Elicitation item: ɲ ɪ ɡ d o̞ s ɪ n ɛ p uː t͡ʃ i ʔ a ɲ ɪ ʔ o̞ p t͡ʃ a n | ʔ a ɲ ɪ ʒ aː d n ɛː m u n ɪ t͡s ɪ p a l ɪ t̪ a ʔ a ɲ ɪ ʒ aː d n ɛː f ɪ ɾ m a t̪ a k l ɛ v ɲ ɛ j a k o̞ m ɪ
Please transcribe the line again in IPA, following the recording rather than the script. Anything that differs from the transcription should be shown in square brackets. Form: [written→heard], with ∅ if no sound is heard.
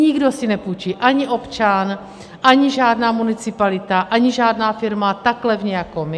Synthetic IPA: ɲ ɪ ɡ d o̞ s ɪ n ɛ p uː t͡ʃ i ʔ a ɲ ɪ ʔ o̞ p t͡ʃ a n | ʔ a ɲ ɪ ʒ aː d n [ɛː→aː] m u n ɪ t͡s ɪ p a l ɪ t̪ a ʔ a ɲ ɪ ʒ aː d n [ɛː→aː] f ɪ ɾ m a t̪ a k l ɛ v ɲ ɛ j a k o̞ m ɪ